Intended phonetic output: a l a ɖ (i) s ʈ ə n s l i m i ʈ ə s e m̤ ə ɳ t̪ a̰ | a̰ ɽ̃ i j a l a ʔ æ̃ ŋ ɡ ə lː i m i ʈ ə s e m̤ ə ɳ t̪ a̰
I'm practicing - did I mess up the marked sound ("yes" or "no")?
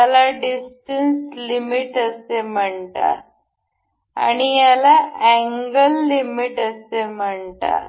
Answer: no